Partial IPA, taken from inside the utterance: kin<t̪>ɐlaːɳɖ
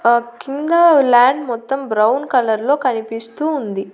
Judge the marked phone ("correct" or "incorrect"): incorrect